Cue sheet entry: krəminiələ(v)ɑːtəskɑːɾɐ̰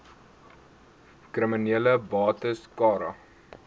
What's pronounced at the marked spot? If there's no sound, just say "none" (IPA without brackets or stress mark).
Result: b